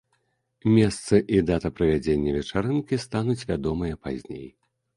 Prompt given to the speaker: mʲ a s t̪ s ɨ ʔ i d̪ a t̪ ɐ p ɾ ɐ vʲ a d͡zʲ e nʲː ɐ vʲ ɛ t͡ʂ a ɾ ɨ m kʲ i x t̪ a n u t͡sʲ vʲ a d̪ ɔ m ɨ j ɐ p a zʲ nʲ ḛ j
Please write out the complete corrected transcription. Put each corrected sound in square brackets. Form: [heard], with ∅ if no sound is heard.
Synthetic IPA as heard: mʲ [ɛ] s t̪ s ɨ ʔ i d̪ a t̪ ɐ p ɾ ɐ vʲ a d͡zʲ e nʲː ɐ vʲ ɛ t͡ʂ a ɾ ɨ [n] kʲ i [s] t̪ a n u t͡sʲ vʲ a d̪ ɔ m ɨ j ɐ p a zʲ nʲ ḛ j